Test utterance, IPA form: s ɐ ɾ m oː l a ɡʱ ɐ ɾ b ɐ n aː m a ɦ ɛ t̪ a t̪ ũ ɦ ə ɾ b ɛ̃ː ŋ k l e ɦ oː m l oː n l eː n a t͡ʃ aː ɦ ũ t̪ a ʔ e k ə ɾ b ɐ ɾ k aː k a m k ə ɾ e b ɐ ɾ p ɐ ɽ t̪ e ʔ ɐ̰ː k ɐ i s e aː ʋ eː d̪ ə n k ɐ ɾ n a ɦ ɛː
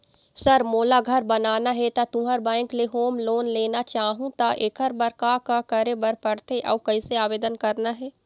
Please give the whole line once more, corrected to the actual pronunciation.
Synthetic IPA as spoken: s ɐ ɾ m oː l a ɡʱ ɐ ɾ b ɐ n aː n a ɦ ɛ t̪ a t̪ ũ ɦ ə ɾ b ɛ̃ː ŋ k l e ɦ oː m l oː n l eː n a t͡ʃ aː ɦ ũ t̪ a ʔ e k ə ɾ b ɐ ɾ k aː k a k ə ɾ e b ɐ ɾ p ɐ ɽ t̪ e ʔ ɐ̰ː k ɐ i s e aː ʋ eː d̪ ə n k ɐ ɾ n a ɦ ɛː